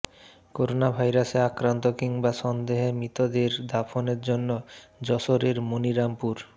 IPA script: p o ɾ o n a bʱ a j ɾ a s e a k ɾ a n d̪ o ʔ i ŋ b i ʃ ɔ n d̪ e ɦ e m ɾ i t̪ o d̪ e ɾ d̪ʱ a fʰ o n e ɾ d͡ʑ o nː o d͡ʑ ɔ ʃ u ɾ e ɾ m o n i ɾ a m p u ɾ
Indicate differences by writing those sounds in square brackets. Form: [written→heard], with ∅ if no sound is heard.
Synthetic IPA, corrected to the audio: [p→k] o ɾ o n a bʱ a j ɾ a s e a k ɾ a n [d̪→t̪] o [ʔ→k] i ŋ b [i→a] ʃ ɔ n d̪ e ɦ e m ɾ i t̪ o d̪ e ɾ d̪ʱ a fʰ o n e ɾ d͡ʑ o nː o d͡ʑ ɔ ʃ [u→o] ɾ e ɾ m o n i ɾ a m p u ɾ